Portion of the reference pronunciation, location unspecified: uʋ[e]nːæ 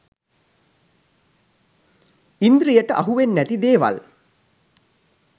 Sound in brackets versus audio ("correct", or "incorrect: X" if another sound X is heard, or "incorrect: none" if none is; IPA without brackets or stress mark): correct